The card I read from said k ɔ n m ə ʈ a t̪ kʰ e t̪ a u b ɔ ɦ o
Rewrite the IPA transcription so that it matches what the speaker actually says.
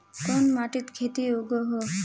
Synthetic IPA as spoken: k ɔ n m a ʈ i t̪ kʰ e t̪ i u ɡ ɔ ɦ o